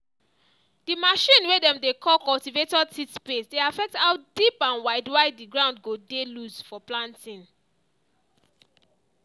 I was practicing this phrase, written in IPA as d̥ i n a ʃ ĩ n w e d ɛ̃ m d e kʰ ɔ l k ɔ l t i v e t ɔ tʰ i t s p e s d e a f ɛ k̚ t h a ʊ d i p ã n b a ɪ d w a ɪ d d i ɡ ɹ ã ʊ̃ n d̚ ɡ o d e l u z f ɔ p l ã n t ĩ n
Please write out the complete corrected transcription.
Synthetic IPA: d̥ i m a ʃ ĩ n w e d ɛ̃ m d e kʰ ɔ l k ɔ l t i v e t ɔ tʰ i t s p e s d e a f ɛ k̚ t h a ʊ d i p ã n w a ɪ d w a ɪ d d i ɡ ɹ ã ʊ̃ n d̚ ɡ o d e l u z f ɔ p l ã n t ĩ n